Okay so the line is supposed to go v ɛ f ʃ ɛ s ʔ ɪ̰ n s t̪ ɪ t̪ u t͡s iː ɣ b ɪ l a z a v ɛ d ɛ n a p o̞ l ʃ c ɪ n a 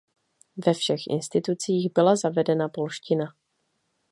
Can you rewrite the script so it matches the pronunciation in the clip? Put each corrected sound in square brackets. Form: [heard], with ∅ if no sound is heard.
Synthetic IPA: v ɛ f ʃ ɛ [x] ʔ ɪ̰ n s t̪ ɪ t̪ u t͡s iː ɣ b ɪ l a z a v ɛ d ɛ n a p o̞ l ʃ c ɪ n a

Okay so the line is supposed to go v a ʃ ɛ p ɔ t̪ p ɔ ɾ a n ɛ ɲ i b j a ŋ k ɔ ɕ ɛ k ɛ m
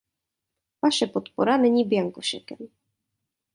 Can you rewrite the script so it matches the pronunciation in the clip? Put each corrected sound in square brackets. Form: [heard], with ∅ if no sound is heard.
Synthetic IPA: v a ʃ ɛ p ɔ t̪ p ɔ ɾ a n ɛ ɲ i b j a ŋ k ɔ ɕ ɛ k ɛ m

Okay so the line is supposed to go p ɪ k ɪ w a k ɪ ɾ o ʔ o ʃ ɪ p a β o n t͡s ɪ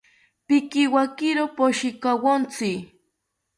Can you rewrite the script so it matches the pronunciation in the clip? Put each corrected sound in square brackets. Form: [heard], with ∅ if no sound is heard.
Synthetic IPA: p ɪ k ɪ w a k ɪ ɾ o [p] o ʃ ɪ [k] a [w] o n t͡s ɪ

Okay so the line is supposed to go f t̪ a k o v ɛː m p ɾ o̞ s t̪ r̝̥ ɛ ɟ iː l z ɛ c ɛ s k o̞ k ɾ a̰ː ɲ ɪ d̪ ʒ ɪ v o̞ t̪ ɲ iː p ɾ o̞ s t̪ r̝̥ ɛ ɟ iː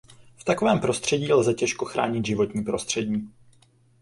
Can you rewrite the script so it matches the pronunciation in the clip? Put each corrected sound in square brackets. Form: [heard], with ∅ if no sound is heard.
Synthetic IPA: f t̪ a k o v ɛː m p ɾ o̞ s t̪ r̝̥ ɛ ɟ iː l z ɛ c ɛ [ʃ] k o̞ [x] ɾ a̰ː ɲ ɪ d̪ ʒ ɪ v o̞ t̪ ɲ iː p ɾ o̞ s t̪ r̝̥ ɛ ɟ iː

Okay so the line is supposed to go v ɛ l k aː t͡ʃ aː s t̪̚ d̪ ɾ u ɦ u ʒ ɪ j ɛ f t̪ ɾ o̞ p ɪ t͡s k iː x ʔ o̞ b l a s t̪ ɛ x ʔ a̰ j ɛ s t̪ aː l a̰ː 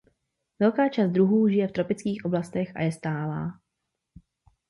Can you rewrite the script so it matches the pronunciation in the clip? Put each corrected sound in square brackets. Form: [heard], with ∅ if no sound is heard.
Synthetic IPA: v ɛ l k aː t͡ʃ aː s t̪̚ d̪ ɾ u ɦ [uː] ʒ ɪ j ɛ f t̪ ɾ o̞ p ɪ t͡s k iː x ʔ o̞ b l a s t̪ ɛ x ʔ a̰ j ɛ s t̪ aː l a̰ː

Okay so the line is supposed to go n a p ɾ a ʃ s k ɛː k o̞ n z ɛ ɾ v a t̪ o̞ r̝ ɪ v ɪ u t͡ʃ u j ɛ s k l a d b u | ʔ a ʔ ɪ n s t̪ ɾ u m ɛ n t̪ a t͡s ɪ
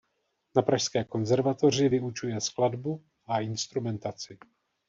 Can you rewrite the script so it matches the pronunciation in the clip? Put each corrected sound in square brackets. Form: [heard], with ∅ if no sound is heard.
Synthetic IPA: n a p ɾ a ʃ s k ɛː k o̞ n z ɛ ɾ v a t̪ o̞ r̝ ɪ v ɪ u t͡ʃ u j ɛ s k l a d b u | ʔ a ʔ ɪ n s t̪ ɾ u m ɛ n t̪ a t͡s ɪ

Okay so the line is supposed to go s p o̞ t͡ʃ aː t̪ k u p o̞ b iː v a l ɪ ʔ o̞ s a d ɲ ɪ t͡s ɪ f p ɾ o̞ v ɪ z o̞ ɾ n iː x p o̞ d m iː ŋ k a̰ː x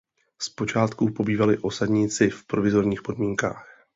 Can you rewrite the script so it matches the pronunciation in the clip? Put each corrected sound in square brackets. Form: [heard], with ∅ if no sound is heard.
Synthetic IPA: s p o̞ t͡ʃ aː t̪ k u p o̞ b iː v a l ɪ ʔ o̞ s a d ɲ ɪ t͡s ɪ f p ɾ o̞ v ɪ z o̞ ɾ [ɲ] iː x p o̞ d m iː ŋ k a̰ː x

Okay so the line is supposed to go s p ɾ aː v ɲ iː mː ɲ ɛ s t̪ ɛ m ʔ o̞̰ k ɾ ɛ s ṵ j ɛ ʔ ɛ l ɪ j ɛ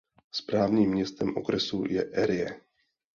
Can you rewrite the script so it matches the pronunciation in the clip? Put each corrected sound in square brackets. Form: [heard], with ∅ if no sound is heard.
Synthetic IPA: s p ɾ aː v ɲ iː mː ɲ ɛ s t̪ ɛ m ʔ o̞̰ k ɾ ɛ s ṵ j ɛ ʔ ɛ [ɾ] ɪ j ɛ

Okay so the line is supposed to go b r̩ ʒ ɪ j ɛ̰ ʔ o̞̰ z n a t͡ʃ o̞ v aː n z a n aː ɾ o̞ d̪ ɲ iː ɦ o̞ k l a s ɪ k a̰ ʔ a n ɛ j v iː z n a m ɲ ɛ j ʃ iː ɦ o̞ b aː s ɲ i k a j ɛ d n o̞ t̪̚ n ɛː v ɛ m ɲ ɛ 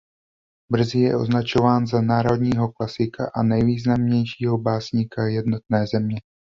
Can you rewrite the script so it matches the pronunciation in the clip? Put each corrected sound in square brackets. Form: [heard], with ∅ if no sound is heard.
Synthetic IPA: b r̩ [z] ɪ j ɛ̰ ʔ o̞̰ z n a t͡ʃ o̞ v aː n z a n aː ɾ o̞ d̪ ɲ iː ɦ o̞ k l a s ɪ k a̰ ʔ a n ɛ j v iː z n a m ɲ ɛ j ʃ iː ɦ o̞ b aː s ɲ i k a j ɛ d n o̞ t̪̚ n ɛː [z] ɛ m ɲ ɛ

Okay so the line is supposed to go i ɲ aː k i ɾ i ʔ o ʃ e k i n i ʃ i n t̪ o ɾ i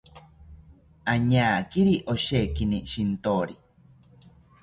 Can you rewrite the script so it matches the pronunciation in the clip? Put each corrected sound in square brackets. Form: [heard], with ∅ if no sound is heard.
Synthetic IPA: [a] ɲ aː k i ɾ i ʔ o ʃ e k i n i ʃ i n t̪ o ɾ i

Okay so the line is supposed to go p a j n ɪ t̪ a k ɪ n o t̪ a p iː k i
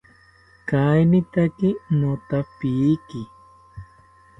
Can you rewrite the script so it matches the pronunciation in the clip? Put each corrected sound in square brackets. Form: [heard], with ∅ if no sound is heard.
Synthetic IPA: [k] a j n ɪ t̪ a k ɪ n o t̪ a p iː k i

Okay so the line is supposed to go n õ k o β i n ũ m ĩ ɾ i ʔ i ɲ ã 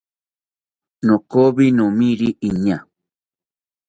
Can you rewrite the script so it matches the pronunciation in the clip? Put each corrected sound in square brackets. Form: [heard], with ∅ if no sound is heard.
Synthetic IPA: n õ k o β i n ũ m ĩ ɾ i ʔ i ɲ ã

